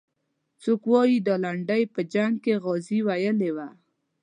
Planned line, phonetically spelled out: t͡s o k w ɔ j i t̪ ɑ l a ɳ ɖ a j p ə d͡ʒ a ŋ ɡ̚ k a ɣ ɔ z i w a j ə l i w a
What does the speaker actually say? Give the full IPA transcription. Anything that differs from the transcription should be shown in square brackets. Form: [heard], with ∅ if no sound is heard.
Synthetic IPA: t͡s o k w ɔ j i [d̪] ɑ l a ɳ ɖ a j p ə d͡ʒ a ŋ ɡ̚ k [e] ɣ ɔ z i w a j ə l [e] w a